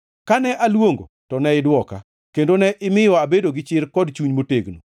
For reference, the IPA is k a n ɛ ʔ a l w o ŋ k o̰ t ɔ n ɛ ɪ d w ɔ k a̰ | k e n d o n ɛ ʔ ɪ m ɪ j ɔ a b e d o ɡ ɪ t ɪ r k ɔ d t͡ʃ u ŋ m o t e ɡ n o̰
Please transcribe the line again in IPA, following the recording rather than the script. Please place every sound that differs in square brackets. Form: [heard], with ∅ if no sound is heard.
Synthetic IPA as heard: k a n ɛ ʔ a l w o ŋ [ɡ] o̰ t ɔ n ɛ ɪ d w ɔ k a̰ | k e n d o n ɛ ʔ ɪ m ɪ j ɔ a b e d o ɡ ɪ [t͡ʃ] ɪ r k ɔ d t͡ʃ u [ɲ] m o t e ɡ n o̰